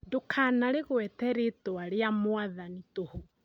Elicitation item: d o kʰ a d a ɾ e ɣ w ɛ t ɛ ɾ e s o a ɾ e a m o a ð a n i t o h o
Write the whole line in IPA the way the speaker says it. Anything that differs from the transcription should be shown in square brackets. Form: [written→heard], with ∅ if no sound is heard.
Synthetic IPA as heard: d o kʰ a [d→n] a ɾ e ɣ w ɛ t ɛ ɾ e [s→t] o a ɾ e a m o a ð a n i t o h o